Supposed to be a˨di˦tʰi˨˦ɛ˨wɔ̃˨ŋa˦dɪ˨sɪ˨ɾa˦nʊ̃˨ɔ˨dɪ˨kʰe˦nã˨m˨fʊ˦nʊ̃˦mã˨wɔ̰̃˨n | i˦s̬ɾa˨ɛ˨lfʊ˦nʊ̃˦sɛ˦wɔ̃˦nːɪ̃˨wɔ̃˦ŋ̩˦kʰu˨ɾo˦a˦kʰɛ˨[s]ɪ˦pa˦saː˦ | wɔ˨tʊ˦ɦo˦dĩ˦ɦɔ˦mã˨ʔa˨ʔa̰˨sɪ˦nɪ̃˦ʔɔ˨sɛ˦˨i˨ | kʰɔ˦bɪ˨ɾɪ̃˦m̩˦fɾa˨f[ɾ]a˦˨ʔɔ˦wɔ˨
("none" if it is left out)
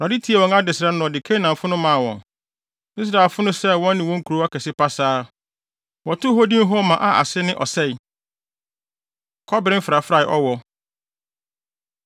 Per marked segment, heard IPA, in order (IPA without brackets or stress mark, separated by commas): s, ɾ